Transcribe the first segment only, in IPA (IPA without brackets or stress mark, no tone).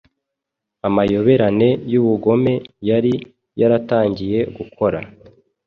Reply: a